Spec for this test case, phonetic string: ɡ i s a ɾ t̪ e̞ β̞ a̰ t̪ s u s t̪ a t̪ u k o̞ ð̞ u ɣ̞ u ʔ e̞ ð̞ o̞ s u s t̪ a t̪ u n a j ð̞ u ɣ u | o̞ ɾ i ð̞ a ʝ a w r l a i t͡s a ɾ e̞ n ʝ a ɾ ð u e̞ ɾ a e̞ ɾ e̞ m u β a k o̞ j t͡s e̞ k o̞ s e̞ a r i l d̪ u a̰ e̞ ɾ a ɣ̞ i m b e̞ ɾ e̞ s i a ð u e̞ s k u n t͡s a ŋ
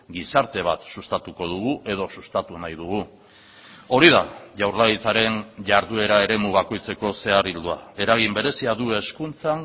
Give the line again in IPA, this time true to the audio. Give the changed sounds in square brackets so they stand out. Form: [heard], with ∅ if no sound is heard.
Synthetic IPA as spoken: ɡ i s a ɾ t̪ e̞ β̞ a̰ t̪ s u s t̪ a t̪ u k o̞ ð̞ u ɣ̞ u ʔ e̞ ð̞ o̞ s u s t̪ a t̪ u n a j ð̞ u ɣ u | o̞ ɾ i ð̞ a ʝ a w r l a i t͡s a ɾ e̞ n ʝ a ɾ ð u e̞ ɾ a e̞ ɾ e̞ m u β a k o̞ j t͡s e̞ k o̞ s e̞ a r i l d̪ u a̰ e̞ ɾ a ɣ̞ i m b e̞ ɾ e̞ s i a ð u e̞ s k u n t͡s a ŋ